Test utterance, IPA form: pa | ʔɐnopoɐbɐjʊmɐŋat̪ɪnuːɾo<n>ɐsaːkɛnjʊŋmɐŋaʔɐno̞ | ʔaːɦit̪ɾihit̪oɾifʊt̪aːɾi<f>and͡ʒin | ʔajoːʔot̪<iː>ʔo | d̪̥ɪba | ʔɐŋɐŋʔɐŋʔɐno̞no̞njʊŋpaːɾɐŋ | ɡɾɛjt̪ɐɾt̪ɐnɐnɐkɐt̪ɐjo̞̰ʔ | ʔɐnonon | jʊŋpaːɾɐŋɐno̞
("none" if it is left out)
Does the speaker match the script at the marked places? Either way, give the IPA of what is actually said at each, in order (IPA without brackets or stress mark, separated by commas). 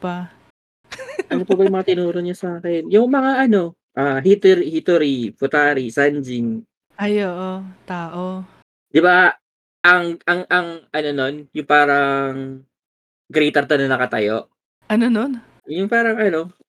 ɲ, s, aː